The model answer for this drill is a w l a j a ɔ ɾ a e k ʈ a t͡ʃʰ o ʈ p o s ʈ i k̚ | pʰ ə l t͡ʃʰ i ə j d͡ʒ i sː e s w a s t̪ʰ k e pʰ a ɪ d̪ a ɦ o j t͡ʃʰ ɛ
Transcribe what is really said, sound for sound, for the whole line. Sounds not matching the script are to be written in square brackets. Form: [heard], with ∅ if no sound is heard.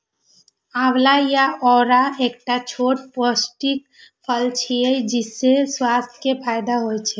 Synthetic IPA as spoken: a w l a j a ɔ ɾ a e k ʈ a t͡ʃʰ o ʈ p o s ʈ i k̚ | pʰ ə l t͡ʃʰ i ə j d͡ʒ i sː e s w a s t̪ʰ k e pʰ a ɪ d̪ a ɦ o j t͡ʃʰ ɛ